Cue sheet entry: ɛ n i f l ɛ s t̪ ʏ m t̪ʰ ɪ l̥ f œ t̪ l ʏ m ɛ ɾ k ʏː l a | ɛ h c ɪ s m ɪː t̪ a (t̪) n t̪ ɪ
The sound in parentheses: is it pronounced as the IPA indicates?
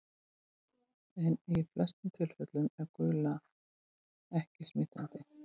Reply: no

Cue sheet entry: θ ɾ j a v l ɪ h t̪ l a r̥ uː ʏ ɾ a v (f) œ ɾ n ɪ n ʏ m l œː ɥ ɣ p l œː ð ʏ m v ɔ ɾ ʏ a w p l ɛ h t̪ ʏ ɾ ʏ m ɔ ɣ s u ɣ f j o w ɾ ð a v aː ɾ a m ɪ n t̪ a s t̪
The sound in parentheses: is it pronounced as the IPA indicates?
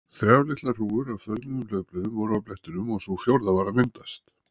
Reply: yes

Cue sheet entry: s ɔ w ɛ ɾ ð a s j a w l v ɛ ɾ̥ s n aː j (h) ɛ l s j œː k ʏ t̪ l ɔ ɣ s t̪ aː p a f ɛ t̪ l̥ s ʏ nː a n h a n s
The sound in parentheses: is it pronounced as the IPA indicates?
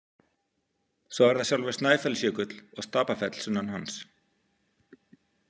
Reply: no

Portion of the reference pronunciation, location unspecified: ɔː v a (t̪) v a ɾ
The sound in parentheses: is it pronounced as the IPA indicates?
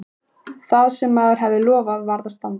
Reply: no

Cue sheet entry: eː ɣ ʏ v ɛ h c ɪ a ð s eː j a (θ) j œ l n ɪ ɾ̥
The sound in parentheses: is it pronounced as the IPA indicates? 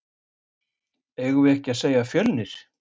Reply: no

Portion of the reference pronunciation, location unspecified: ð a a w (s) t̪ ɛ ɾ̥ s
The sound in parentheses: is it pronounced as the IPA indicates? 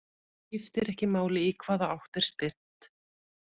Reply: no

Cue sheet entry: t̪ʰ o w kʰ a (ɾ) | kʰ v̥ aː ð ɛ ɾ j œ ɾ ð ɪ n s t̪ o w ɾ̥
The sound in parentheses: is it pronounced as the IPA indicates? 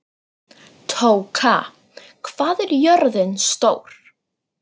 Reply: no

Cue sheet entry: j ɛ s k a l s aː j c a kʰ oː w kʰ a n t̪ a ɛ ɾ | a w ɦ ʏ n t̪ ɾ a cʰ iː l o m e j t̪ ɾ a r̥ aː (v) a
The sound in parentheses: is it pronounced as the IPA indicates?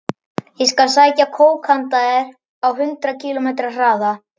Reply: no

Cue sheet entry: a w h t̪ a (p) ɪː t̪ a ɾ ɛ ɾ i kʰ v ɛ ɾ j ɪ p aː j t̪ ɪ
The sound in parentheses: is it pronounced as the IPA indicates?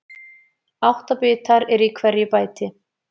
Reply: yes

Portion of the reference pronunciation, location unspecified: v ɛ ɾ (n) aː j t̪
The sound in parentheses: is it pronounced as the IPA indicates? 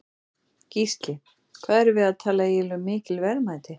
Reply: no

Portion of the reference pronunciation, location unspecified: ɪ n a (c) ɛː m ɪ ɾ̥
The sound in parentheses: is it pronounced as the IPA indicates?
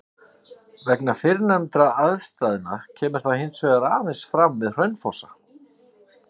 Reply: no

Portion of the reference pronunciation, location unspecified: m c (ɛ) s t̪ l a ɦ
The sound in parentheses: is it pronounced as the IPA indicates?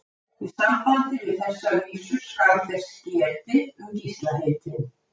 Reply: no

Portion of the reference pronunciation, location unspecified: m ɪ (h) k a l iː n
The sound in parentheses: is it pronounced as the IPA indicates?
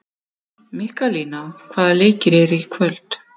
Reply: yes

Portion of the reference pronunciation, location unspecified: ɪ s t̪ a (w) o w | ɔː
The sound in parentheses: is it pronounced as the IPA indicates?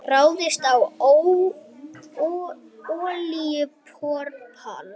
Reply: yes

